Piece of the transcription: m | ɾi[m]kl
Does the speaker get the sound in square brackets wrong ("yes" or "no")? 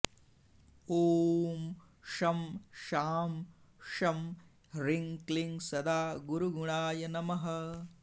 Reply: yes